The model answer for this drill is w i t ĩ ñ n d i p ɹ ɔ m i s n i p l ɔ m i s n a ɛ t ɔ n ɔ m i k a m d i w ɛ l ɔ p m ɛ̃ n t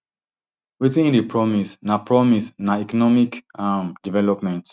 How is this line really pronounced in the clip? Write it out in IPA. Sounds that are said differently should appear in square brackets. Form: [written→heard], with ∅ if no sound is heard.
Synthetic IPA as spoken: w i t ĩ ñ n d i p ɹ ɔ m i s n [i→a] p [l→ɹ] ɔ m i s n a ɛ [t→k] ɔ n ɔ m i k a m d i [w→v] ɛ l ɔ p m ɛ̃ n t